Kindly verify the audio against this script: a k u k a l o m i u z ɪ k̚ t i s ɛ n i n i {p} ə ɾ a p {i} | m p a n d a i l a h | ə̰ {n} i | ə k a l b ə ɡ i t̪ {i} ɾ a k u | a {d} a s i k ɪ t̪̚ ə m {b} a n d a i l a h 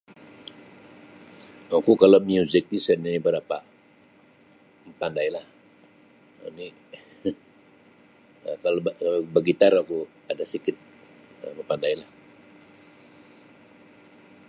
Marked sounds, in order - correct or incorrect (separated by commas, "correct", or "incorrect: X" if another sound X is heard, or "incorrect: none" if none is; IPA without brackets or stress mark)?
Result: incorrect: b, incorrect: a, correct, incorrect: a, correct, incorrect: p